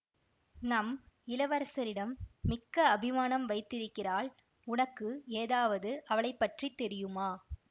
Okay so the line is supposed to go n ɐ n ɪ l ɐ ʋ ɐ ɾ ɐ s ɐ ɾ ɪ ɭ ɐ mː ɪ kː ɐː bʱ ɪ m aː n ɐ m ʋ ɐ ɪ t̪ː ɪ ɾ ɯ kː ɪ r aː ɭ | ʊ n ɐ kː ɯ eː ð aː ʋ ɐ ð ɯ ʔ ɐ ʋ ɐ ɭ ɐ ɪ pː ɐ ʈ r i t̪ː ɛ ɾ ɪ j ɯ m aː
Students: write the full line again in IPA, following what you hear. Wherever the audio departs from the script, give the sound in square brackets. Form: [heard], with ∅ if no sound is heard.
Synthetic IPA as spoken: n ɐ [m] ɪ l ɐ ʋ ɐ ɾ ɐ s ɐ ɾ ɪ [ɽ] ɐ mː ɪ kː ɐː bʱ ɪ m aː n ɐ m ʋ ɐ ɪ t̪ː ɪ ɾ ɯ kː ɪ r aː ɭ | ʊ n ɐ kː ɯ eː ð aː ʋ ɐ ð ɯ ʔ ɐ ʋ ɐ ɭ ɐ ɪ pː ɐ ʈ r i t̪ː ɛ ɾ ɪ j ɯ m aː